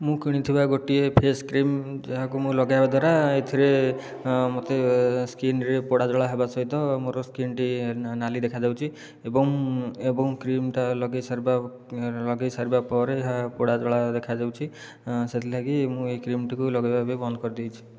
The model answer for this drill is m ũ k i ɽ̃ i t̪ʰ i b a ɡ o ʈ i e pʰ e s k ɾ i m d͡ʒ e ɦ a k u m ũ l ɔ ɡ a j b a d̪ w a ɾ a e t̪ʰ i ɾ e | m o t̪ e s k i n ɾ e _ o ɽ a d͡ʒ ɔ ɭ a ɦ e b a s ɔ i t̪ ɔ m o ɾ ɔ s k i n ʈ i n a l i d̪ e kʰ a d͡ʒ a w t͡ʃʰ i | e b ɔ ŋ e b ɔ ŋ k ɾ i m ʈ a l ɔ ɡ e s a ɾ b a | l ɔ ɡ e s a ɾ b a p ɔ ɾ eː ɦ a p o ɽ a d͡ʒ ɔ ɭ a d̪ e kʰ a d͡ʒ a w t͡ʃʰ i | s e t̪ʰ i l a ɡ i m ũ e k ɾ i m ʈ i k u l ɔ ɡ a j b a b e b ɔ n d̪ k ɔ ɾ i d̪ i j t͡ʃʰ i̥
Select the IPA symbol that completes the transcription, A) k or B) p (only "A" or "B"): B